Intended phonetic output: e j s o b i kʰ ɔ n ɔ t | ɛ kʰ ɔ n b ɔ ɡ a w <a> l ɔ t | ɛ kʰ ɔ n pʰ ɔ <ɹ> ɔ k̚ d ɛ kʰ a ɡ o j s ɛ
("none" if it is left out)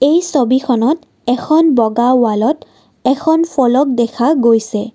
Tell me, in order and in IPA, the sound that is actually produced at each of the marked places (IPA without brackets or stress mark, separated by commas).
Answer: a, l